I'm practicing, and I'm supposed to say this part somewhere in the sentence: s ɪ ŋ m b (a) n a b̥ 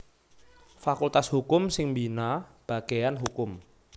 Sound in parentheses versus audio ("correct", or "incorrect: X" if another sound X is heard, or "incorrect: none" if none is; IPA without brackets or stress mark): incorrect: i